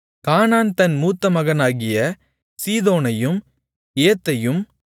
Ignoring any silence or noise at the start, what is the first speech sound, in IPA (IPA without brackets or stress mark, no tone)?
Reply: k